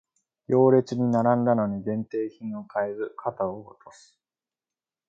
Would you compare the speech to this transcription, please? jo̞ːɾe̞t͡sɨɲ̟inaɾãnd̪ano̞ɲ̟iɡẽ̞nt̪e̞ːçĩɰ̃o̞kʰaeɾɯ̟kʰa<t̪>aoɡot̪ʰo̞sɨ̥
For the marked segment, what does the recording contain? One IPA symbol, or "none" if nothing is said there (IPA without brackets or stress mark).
t̪